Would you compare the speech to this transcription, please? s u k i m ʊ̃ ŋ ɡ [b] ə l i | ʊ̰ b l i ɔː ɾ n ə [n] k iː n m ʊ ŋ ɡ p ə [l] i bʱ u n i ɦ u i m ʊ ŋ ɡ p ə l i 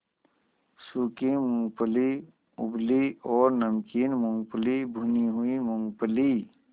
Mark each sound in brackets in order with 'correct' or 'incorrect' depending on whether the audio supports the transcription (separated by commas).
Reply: incorrect, incorrect, correct